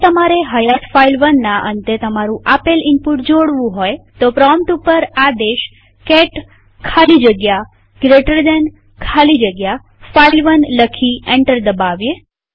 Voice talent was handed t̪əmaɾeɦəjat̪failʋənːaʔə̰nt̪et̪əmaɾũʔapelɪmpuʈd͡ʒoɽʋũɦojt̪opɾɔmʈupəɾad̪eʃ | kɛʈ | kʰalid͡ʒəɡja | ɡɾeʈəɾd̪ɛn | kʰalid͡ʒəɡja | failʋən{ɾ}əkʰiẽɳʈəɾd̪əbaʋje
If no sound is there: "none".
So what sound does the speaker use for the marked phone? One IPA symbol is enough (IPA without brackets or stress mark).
l